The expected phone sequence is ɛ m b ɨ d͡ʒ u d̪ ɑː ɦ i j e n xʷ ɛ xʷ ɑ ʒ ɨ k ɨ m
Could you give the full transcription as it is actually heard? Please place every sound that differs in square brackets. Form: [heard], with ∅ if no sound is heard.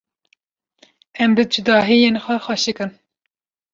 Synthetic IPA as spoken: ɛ m b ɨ d͡ʒ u d̪ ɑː ɦ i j e n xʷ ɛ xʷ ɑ [ʃ] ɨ k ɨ [n]